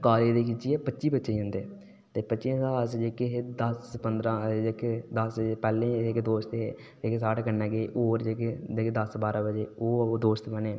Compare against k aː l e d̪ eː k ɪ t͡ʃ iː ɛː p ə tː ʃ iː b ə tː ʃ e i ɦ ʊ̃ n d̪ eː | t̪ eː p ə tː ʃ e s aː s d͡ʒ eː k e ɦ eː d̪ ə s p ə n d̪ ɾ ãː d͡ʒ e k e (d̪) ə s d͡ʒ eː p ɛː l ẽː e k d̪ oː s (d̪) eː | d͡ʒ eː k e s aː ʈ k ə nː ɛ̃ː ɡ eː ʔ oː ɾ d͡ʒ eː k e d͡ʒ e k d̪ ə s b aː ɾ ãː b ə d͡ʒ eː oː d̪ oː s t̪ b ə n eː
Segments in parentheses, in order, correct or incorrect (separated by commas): correct, incorrect